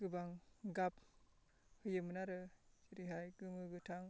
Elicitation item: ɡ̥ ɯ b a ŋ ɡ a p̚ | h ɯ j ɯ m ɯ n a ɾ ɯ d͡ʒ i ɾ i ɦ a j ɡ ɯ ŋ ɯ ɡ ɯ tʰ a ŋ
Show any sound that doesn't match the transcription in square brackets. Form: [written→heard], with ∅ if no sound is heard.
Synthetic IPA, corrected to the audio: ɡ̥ ɯ b a ŋ ɡ a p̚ | h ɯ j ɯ m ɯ n a ɾ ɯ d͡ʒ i ɾ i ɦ a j ɡ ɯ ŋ ɯ ɡ ɯ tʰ a ŋ